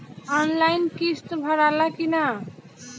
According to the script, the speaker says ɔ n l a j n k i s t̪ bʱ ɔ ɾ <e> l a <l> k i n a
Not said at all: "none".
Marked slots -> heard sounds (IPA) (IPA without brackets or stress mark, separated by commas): a, none